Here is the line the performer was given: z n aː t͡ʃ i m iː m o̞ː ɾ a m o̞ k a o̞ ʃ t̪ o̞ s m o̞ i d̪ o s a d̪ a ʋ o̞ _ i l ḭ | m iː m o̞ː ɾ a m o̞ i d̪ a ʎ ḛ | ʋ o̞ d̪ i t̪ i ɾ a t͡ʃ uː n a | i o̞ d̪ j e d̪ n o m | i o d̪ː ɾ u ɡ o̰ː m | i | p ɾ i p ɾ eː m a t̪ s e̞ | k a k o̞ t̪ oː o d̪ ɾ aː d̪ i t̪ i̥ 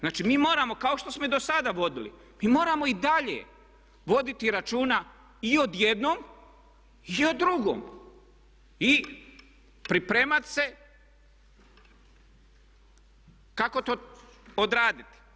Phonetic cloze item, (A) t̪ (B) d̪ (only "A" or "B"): B